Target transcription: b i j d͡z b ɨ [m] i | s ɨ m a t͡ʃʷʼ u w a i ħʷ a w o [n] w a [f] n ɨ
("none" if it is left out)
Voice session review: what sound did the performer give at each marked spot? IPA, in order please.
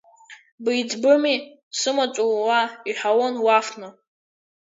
m, n, f

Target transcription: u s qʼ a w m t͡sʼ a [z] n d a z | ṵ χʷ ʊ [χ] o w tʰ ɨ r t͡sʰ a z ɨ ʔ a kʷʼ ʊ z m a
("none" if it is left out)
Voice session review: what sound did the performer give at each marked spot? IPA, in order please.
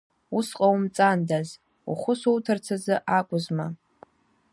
none, s

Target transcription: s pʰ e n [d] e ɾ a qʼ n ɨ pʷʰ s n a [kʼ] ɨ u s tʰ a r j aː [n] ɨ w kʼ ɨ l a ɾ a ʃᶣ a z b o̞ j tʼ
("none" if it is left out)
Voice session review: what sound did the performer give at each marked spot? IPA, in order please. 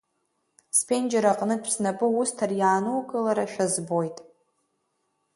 d͡ʒ, pʼ, n

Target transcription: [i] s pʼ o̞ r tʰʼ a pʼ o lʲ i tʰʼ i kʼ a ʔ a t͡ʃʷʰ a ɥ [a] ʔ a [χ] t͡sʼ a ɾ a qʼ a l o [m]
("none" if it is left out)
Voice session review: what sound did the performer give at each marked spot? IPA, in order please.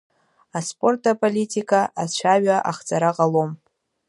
a, a, χ, m

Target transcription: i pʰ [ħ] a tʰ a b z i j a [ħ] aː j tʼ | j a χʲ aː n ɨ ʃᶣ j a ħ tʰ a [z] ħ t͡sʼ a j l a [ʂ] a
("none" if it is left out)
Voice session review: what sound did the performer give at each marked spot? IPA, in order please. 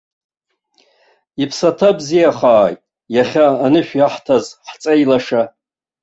s, χ, z, ʂ

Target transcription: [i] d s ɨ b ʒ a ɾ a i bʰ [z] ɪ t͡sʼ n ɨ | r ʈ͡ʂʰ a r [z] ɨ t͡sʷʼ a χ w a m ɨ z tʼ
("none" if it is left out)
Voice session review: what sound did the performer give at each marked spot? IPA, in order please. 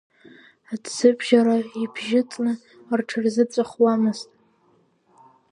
a, ʒ, z

